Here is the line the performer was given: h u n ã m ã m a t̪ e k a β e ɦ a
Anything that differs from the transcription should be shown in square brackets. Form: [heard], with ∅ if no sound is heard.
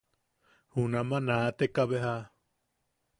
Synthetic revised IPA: h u n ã m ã [n] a t̪ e k a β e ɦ a